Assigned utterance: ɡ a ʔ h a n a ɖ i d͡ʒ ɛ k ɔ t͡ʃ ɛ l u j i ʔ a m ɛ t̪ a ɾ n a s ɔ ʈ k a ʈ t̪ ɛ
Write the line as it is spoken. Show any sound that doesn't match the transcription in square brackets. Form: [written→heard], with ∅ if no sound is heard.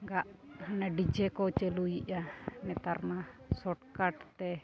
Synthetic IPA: ɡ a ʔ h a n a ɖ i d͡ʒ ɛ k ɔ t͡ʃ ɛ l u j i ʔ a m ɛ t̪ a ɾ n a s ɔ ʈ k a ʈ t̪ ɛ